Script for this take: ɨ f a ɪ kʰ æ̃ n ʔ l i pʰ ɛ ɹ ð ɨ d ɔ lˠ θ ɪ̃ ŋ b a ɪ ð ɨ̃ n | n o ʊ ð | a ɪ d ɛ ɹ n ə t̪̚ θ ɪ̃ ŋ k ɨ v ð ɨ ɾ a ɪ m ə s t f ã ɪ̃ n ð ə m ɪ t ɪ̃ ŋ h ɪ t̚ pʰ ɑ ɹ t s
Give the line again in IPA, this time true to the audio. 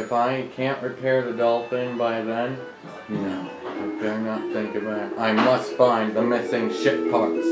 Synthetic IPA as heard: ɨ f a ɪ kʰ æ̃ n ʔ ɹ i pʰ ɛ ɹ ð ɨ d ʌ lˠ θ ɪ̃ ŋ b a ɪ ð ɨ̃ n | n o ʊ | a ɪ d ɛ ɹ n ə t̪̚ θ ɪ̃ ŋ k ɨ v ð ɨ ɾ a ɪ m ʌ s t f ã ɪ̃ n ð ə m ɪ s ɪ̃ ŋ ʃ ɪ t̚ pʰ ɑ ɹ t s